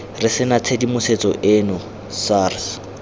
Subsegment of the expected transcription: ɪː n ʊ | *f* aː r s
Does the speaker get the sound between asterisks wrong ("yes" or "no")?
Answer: yes